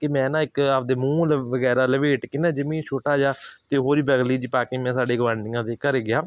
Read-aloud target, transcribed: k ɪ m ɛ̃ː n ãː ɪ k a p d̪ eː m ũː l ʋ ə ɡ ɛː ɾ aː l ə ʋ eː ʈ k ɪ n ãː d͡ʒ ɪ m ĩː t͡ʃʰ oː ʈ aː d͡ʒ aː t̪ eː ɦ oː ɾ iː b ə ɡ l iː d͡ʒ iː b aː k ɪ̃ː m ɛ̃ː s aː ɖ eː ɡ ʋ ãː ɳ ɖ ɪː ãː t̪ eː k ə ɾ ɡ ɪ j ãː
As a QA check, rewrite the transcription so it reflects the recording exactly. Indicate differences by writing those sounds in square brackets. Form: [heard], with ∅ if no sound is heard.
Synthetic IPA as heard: k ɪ m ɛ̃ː n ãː ɪ k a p d̪ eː m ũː l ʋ ə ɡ ɛː ɾ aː l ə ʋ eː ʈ k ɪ n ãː d͡ʒ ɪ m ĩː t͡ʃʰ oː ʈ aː d͡ʒ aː t̪ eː ɦ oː ɾ iː b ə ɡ l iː d͡ʒ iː [p] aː k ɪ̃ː m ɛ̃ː s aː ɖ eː ɡ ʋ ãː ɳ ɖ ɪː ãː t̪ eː k ə ɾ ɡ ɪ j [aː]